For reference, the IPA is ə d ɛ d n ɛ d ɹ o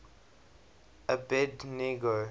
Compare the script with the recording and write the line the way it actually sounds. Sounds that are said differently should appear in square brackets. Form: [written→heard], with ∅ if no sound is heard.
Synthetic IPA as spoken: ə [d→b] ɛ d n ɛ [d→ɡ] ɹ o